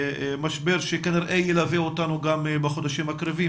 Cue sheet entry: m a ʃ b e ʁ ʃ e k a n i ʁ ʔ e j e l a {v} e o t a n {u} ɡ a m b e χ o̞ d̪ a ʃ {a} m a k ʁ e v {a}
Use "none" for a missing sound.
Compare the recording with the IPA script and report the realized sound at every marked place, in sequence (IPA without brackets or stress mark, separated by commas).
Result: v, u, i, i